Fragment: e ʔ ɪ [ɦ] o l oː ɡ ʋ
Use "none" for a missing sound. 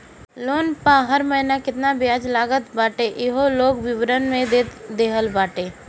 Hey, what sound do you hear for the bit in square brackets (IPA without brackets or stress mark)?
ɦ